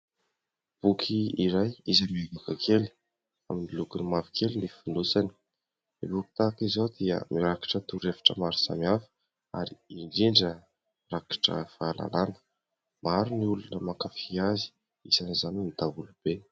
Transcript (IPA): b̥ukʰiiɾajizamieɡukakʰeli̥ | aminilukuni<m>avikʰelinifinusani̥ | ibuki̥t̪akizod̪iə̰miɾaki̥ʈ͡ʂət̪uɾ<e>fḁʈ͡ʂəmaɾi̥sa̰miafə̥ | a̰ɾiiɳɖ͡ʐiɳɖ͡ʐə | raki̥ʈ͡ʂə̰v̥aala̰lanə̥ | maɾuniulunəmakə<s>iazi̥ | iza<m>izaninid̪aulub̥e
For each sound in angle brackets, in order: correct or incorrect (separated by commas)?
correct, correct, incorrect, incorrect